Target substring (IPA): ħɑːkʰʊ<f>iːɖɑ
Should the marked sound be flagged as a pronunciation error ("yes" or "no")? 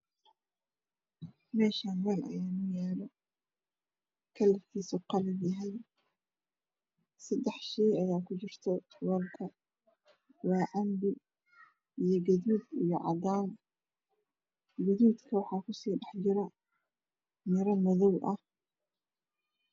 yes